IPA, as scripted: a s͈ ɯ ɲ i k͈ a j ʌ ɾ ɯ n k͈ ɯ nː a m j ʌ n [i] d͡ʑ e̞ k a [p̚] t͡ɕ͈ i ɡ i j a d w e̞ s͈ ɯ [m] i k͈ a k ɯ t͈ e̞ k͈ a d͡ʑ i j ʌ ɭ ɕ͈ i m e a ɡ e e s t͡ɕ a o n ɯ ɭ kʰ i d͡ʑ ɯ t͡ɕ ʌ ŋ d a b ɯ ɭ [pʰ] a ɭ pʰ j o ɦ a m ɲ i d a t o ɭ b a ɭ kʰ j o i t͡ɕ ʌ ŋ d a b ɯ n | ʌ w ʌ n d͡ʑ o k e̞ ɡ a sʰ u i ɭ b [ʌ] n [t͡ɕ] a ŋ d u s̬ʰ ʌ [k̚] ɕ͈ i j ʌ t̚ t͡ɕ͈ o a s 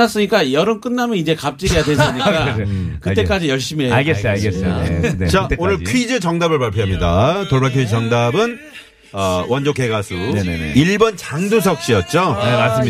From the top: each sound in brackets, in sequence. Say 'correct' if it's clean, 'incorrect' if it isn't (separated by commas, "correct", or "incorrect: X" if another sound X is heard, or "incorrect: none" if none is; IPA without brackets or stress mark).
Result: correct, correct, incorrect: ɲ, incorrect: p, correct, correct, correct